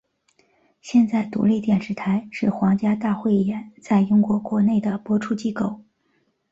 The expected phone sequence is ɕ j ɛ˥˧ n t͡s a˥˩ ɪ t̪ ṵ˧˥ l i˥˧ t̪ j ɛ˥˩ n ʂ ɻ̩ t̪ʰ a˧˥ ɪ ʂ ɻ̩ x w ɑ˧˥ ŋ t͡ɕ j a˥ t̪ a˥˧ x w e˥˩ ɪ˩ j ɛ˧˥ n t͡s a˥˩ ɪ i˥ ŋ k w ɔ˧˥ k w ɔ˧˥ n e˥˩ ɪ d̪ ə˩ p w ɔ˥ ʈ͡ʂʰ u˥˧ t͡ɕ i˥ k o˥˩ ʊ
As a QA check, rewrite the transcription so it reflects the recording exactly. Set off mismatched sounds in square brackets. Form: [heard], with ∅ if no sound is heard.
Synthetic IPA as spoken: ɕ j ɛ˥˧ n t͡s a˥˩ ɪ t̪ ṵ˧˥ l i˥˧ t̪ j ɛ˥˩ n ʂ ɻ̩ t̪ʰ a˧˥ ɪ ʂ ɻ̩ x w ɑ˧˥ ŋ t͡ɕ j a˥ t̪ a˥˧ x w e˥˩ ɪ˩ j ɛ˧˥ n t͡s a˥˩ ɪ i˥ ŋ k w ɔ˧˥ k w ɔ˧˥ n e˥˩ ɪ d̪ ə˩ p w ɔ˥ ʈ͡ʂʰ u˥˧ t͡ɕ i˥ k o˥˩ ʊ